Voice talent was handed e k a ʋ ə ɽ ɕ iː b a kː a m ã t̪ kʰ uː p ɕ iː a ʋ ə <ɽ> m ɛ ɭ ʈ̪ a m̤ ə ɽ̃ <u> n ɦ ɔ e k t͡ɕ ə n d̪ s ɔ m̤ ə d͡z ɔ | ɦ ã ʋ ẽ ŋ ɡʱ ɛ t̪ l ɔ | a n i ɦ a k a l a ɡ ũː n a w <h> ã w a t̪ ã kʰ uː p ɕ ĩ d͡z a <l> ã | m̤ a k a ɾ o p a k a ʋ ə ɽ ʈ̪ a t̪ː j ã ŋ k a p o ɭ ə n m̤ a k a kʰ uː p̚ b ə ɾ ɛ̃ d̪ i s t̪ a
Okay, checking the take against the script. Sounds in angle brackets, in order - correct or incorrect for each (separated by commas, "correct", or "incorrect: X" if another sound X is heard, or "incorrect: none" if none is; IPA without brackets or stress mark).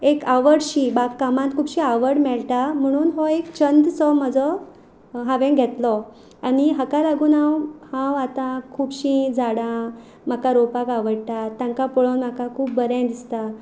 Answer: correct, incorrect: uː, correct, incorrect: ɽ